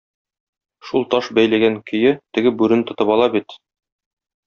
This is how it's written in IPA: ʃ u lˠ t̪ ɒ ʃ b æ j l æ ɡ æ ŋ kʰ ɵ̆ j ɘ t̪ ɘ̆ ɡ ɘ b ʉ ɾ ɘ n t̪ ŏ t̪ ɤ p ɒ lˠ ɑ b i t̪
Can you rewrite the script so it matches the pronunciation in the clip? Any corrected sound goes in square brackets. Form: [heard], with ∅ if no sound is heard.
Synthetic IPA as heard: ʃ u lˠ t̪ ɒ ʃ b æ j l æ ɡ æ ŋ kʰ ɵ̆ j ɘ t̪ ɘ̆ ɡ ɘ b ʉ ɾ ɘ n t̪ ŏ t̪ ɤ p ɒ lˠ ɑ b i t̪